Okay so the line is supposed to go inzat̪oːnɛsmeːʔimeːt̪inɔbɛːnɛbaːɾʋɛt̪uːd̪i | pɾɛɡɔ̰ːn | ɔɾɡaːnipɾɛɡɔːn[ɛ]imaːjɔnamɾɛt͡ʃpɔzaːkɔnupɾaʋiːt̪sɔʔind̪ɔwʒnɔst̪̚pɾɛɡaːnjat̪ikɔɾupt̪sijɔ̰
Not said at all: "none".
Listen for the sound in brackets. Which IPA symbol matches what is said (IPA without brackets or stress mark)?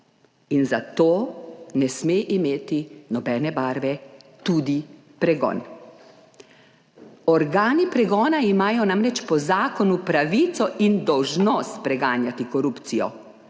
a